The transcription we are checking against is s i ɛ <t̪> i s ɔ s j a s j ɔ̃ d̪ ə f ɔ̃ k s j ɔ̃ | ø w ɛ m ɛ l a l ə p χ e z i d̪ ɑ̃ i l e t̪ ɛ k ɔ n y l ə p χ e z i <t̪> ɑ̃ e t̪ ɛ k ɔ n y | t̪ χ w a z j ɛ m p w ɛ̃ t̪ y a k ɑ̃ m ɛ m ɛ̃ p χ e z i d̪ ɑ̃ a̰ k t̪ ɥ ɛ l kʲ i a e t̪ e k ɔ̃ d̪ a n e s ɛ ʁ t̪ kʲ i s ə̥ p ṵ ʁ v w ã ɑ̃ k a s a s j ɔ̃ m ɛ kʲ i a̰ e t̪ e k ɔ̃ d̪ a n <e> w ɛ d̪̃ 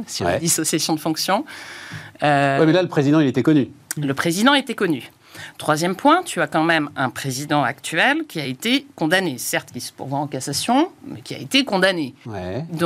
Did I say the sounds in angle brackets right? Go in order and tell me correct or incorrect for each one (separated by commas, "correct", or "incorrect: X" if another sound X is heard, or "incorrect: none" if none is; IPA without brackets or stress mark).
incorrect: d̪, incorrect: d̪, correct